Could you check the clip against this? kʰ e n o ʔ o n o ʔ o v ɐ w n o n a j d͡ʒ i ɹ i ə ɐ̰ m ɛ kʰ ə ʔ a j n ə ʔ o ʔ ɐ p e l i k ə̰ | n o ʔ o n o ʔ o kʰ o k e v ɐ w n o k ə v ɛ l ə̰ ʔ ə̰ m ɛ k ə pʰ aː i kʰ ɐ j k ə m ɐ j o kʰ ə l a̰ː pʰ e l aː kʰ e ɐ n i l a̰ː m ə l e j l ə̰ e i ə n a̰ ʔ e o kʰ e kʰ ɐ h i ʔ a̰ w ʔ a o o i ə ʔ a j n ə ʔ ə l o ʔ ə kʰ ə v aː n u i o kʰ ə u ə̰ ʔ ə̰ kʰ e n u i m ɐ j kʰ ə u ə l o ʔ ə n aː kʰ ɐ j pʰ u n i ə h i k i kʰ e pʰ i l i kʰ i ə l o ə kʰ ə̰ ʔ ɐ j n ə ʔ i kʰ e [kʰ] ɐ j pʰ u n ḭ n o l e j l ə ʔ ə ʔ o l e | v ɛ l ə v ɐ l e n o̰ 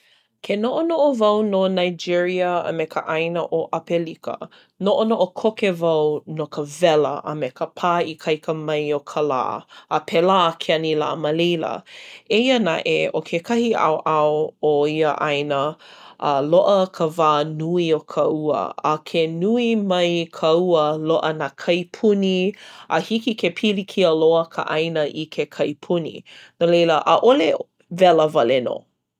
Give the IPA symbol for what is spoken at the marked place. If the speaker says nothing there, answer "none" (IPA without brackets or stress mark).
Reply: kʰ